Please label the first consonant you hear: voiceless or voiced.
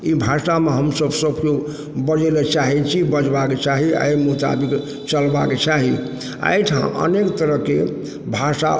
voiced